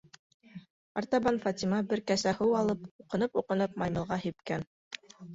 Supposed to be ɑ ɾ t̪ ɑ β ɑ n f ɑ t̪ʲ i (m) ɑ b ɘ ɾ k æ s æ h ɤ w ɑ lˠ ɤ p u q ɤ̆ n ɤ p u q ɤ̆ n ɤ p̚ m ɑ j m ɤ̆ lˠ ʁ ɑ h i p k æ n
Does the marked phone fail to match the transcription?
no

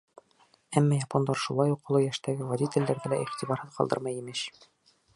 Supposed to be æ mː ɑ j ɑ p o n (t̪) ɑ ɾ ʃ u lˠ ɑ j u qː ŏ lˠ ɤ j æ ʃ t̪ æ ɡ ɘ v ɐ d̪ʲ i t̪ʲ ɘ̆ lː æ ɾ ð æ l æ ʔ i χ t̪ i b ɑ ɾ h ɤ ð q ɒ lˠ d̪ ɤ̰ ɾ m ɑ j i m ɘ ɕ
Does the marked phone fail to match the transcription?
yes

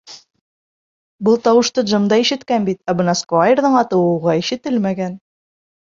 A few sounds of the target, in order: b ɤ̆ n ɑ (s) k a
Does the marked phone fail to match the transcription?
no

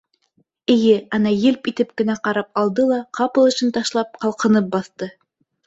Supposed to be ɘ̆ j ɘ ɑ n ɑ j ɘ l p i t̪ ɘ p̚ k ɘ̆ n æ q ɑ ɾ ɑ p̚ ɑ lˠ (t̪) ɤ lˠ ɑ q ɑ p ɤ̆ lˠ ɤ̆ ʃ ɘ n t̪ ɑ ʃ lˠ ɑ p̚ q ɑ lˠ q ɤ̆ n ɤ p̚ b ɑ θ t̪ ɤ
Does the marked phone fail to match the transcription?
yes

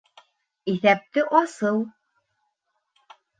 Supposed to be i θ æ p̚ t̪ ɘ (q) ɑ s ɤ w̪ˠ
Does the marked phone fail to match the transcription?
yes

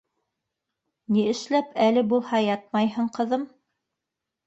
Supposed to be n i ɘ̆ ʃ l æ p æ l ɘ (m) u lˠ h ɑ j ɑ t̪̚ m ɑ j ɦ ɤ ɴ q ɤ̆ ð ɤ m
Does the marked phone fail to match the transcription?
yes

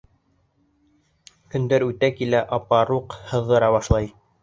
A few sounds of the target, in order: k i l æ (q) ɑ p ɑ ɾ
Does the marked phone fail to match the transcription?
yes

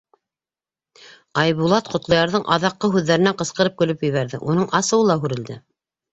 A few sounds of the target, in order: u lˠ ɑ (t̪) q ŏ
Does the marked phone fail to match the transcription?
no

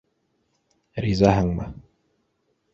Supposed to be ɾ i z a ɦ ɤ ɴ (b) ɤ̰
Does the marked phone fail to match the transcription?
yes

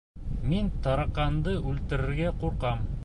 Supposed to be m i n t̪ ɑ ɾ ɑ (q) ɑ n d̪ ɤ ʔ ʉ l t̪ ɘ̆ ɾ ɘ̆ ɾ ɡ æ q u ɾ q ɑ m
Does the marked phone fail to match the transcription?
no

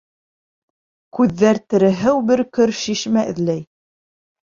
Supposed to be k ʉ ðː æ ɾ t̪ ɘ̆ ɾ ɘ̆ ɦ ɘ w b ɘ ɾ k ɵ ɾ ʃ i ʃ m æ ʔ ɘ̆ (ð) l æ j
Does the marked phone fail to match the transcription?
no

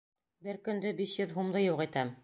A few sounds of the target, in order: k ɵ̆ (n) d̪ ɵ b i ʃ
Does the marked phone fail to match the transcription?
no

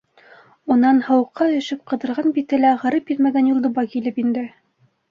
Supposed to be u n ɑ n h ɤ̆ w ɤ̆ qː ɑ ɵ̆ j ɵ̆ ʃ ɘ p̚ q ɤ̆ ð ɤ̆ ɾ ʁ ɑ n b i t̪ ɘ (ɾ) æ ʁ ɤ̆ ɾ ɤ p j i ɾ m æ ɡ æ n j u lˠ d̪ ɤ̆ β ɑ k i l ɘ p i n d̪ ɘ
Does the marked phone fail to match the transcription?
yes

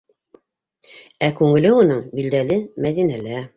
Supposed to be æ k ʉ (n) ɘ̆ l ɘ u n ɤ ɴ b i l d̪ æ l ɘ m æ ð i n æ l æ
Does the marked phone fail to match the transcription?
yes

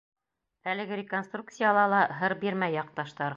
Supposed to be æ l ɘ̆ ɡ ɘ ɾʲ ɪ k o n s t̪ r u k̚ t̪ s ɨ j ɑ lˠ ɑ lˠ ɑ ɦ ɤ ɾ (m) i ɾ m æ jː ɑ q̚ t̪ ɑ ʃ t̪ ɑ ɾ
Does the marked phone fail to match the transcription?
yes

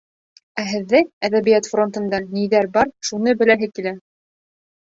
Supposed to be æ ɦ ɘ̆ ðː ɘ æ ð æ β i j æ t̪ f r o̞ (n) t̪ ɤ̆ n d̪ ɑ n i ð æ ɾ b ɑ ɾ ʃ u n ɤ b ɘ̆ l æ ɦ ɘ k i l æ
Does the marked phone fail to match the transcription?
no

